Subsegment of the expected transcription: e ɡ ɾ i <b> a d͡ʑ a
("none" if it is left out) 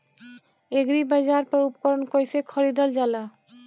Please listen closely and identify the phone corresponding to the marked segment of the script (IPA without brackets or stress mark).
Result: b